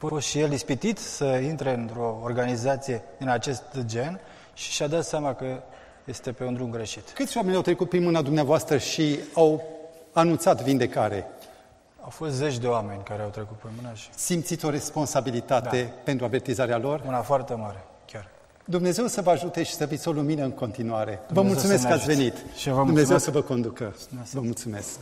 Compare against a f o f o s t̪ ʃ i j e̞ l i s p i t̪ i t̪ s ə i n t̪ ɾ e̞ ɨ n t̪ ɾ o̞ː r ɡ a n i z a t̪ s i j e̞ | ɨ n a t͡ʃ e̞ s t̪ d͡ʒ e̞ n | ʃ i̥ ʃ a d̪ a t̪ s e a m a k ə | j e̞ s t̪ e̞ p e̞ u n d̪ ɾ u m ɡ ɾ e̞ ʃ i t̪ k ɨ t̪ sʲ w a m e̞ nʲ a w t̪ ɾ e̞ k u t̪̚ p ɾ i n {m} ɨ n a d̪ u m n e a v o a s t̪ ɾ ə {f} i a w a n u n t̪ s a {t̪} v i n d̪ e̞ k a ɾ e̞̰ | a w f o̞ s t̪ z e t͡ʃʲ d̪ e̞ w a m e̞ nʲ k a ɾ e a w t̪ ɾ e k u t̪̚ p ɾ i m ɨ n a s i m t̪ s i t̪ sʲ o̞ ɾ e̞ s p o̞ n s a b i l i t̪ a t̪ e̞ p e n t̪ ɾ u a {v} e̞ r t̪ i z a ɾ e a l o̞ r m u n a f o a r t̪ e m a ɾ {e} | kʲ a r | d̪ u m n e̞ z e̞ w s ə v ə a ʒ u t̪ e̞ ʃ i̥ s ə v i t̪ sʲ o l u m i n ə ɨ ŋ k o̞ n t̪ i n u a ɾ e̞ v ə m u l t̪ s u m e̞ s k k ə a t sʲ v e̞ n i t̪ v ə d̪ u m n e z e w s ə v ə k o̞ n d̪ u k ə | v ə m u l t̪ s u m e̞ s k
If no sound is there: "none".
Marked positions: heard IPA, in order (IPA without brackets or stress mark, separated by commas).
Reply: m, ʃ, t̪, v, e